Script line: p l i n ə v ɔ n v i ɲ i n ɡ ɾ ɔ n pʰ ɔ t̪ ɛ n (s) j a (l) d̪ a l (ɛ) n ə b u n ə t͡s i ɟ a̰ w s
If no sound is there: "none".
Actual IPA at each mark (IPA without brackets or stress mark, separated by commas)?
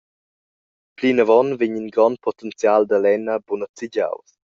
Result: t͡s, l, ɛ